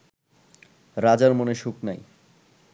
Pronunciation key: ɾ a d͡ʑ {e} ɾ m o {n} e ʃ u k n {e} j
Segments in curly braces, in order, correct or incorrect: incorrect, correct, incorrect

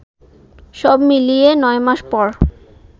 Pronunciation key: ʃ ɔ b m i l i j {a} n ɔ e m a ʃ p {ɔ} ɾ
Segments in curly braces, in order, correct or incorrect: incorrect, correct

